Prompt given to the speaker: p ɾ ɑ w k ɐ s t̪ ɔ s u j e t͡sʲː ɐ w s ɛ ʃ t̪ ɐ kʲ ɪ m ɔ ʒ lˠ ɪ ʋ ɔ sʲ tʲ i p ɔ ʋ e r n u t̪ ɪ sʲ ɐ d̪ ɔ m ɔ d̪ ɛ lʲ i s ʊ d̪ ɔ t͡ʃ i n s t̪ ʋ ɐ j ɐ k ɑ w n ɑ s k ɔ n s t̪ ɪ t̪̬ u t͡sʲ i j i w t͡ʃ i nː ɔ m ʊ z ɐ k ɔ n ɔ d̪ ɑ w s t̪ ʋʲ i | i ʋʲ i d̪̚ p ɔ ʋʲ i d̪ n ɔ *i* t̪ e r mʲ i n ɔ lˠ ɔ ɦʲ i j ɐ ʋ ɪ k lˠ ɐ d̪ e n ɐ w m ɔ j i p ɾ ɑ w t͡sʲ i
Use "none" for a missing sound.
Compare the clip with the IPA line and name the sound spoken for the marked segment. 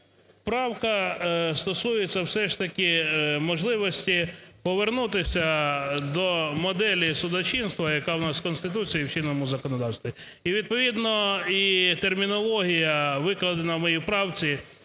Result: i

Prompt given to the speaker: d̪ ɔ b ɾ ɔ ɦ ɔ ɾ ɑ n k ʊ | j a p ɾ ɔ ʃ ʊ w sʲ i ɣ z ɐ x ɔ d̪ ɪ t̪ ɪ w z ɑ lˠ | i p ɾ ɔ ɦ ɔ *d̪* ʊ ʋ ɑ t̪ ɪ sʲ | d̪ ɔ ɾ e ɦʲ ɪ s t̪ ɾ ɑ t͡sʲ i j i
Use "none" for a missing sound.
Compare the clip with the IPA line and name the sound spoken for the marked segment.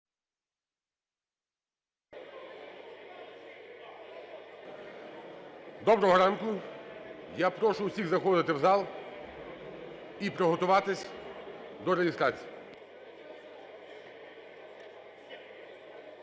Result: t̪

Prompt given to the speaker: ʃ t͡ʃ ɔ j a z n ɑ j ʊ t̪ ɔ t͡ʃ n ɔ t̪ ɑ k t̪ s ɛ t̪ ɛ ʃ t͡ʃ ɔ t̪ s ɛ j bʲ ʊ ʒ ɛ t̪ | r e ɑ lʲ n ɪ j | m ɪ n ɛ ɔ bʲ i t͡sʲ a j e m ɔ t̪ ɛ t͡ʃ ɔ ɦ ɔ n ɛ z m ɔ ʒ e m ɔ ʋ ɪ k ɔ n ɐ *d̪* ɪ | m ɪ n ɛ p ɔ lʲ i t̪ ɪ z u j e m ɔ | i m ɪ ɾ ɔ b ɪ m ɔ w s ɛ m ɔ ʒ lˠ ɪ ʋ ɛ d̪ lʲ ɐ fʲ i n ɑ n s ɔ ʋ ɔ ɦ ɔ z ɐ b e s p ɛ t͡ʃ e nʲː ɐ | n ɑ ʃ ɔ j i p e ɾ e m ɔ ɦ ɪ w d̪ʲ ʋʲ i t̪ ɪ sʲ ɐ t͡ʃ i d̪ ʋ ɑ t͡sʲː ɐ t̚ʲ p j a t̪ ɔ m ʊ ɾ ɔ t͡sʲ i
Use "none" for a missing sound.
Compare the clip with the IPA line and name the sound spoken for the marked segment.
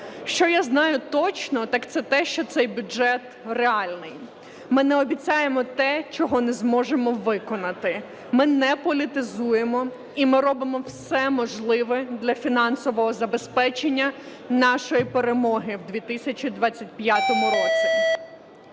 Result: t̪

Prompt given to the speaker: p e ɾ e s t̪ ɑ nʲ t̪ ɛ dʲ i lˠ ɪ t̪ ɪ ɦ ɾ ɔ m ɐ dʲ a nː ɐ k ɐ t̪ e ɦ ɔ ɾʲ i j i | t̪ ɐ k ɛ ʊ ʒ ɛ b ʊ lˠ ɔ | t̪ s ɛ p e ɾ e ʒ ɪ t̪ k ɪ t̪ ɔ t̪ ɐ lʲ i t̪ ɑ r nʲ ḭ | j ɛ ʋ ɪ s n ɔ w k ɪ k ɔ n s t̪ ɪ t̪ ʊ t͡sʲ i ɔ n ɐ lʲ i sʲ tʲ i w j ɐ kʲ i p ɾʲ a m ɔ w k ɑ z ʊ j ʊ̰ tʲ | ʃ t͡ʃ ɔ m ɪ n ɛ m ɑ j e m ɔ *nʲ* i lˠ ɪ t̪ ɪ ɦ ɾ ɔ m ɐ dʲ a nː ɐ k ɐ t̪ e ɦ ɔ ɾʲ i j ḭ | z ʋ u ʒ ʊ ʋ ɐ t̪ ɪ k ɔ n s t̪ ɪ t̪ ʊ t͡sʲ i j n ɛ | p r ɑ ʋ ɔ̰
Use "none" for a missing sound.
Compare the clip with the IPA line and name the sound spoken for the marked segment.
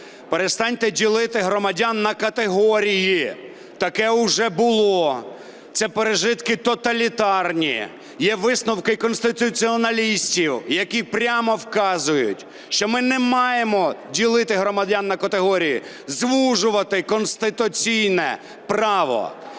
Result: dʲ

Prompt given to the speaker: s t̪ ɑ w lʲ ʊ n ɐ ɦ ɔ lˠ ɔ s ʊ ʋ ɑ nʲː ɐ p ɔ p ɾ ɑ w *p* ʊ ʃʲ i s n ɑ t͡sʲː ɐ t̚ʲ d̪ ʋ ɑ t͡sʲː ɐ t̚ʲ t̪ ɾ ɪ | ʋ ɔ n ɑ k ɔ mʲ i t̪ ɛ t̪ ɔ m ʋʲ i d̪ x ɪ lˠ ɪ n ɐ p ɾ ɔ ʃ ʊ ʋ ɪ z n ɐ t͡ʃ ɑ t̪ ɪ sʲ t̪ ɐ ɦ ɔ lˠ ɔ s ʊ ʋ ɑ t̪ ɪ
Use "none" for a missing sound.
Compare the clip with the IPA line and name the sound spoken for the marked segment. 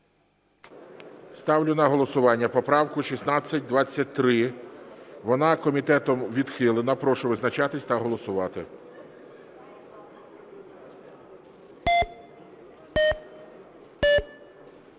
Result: k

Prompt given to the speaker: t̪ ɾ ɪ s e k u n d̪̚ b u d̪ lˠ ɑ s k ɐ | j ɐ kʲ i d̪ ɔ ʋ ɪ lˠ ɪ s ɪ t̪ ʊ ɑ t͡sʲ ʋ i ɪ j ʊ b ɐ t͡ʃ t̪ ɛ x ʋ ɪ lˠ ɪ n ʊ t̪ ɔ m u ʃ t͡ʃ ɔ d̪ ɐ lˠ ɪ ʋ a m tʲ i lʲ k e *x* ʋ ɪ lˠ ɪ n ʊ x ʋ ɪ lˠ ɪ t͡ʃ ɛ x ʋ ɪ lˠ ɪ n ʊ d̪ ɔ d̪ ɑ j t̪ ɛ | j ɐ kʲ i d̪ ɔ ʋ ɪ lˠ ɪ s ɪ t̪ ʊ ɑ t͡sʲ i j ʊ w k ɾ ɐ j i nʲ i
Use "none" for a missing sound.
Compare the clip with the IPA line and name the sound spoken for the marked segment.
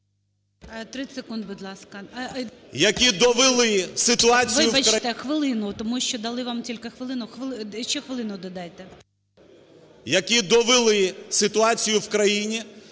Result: x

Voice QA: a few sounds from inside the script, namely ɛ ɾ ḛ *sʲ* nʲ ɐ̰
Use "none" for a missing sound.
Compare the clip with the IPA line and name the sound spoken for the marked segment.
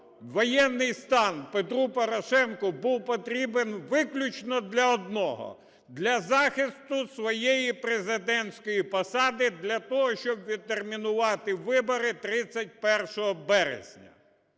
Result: zʲ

